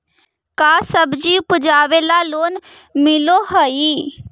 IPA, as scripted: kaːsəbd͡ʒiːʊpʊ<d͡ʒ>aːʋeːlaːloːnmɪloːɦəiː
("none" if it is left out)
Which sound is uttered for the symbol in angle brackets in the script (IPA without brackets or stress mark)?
d͡ʒ